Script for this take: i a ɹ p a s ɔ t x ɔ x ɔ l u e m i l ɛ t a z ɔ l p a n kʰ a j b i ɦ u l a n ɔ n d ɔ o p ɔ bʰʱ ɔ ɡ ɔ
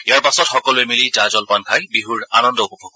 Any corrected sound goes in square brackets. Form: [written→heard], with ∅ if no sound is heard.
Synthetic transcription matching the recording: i a ɹ p a s ɔ t x ɔ [x→k] ɔ l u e m i l [ɛ→i] t a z ɔ l p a n kʰ a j b i ɦ u [l→ɹ] a n ɔ n d ɔ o p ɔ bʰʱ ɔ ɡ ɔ